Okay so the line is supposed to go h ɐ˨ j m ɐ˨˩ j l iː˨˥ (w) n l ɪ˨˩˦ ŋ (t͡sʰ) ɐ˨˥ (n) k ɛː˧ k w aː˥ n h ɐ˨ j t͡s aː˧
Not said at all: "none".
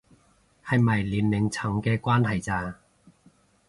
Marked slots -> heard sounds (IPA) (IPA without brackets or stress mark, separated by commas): none, t͡sʰ, ŋ